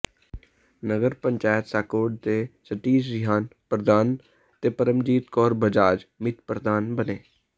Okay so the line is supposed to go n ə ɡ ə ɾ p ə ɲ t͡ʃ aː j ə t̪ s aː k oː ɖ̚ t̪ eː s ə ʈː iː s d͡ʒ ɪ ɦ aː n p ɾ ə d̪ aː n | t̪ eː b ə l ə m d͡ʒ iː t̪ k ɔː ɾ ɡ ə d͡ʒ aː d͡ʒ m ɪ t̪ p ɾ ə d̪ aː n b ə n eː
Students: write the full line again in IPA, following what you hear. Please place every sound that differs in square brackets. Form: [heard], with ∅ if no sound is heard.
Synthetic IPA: n ə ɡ ə ɾ p ə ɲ t͡ʃ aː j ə t̪ s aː k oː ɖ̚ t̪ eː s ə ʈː iː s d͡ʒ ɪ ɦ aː n p ɾ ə d̪ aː n | t̪ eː [p] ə [ɾ] ə m d͡ʒ iː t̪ k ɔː ɾ [b] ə d͡ʒ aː d͡ʒ m ɪ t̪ p ɾ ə d̪ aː n b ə n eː